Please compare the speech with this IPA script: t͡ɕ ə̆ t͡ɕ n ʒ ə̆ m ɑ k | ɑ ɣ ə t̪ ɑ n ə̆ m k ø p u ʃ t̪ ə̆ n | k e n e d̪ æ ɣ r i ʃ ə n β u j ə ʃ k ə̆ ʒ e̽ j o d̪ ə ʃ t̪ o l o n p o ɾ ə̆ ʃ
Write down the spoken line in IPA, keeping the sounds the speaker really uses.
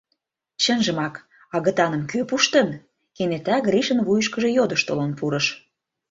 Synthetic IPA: t͡ɕ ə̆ n ʒ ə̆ m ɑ k | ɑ ɣ ə t̪ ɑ n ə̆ m k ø p u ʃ t̪ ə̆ n | k e n e t̪ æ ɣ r i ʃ ə n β u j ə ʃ k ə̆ ʒ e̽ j o d̪ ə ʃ t̪ o l o n p u ɾ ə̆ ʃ